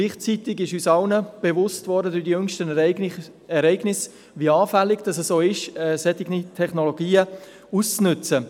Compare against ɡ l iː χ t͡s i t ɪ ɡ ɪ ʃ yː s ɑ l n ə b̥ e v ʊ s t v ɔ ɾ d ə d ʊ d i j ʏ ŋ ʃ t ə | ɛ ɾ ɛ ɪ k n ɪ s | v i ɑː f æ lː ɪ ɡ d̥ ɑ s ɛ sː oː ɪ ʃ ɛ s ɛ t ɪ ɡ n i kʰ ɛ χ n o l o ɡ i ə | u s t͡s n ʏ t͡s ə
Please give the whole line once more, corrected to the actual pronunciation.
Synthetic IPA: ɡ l iː χ t͡s i t ɪ ɡ ɪ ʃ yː s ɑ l n ə b̥ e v ʊ s t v ɔ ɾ d ə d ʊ d i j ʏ ŋ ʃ t ə | ɛ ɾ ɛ ɪ ɡ n ɪ s | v i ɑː f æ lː ɪ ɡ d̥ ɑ s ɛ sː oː ɪ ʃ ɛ s ɛ t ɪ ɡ n i tʰ ɛ χ n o l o ɡ iː ə | u s t͡s n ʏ t͡s ə